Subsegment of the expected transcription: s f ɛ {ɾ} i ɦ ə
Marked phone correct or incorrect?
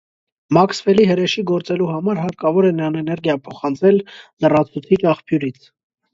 incorrect